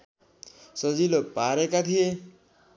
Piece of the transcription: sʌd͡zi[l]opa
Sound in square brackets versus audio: correct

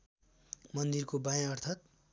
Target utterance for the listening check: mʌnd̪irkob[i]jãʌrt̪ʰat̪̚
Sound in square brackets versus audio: incorrect: a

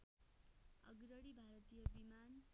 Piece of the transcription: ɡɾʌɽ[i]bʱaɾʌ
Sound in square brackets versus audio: correct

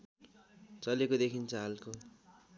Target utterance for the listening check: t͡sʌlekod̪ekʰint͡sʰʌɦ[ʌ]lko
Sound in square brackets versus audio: incorrect: a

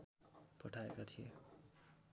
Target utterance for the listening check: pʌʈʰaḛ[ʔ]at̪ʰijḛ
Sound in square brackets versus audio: incorrect: k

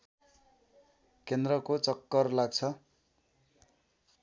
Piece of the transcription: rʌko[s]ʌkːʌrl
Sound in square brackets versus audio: incorrect: t͡s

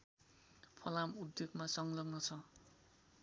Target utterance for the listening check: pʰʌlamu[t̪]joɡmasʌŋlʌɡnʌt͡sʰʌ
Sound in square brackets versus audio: incorrect: d̪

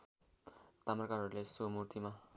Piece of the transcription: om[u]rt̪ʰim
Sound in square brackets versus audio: correct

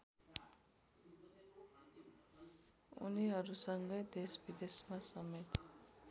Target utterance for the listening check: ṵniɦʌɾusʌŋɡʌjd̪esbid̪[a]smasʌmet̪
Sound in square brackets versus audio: incorrect: e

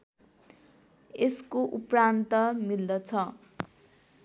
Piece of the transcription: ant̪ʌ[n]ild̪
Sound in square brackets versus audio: incorrect: m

